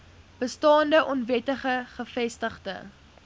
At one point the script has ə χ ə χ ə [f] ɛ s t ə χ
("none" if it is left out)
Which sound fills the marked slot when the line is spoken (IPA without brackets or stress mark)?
f